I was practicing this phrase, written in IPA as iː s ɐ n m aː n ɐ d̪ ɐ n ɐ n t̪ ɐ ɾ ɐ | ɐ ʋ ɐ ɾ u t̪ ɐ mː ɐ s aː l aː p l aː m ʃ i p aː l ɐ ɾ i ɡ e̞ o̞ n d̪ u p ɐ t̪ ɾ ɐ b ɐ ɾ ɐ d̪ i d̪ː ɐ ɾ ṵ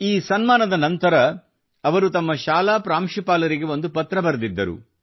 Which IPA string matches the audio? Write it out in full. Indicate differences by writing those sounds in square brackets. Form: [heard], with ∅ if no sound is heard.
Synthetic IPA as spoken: iː s ɐ n m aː n ɐ d̪ ɐ n ɐ n t̪ ɐ ɾ ɐ | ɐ ʋ ɐ ɾ u t̪ ɐ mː ɐ [ʃ] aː l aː p [ɾ] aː m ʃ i p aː l ɐ ɾ i ɡ e̞ o̞ n d̪ u p ɐ t̪ ɾ ɐ b ɐ ɾ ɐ d̪ i d̪ː ɐ ɾ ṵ